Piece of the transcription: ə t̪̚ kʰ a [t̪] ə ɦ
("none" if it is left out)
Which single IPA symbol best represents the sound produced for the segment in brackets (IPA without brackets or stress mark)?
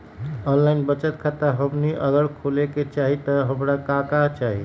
t̪